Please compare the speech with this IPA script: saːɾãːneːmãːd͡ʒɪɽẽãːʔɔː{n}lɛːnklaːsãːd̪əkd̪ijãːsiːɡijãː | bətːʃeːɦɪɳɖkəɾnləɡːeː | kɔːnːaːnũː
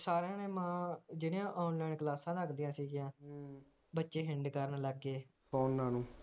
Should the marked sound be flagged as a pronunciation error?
no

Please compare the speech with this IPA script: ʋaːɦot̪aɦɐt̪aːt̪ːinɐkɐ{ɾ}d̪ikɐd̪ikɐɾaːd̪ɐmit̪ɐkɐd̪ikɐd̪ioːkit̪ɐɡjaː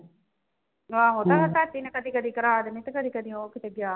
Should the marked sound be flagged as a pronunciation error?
yes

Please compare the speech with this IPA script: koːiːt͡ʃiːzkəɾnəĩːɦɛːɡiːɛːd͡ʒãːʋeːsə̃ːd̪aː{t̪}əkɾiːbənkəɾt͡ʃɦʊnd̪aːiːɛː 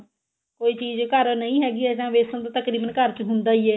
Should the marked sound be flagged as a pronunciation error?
no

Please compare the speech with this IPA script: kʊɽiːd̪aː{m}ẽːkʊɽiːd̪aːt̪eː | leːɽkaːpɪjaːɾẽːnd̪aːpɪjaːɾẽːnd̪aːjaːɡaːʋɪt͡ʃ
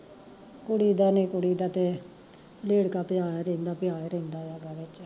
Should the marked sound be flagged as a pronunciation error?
yes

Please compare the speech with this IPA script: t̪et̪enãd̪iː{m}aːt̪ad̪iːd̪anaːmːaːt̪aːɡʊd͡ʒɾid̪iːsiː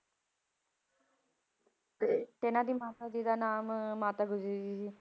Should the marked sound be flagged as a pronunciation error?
no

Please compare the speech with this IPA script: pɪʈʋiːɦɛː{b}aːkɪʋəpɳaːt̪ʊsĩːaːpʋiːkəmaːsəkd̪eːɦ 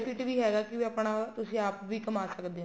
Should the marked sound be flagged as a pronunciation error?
yes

